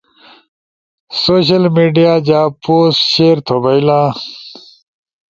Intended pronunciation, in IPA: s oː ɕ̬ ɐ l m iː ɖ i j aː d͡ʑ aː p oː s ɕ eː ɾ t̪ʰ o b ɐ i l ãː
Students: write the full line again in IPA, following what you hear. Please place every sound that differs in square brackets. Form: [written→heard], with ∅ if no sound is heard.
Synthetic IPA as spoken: s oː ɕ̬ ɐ l m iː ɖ i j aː d͡ʑ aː p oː s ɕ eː ɾ t̪ʰ o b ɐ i l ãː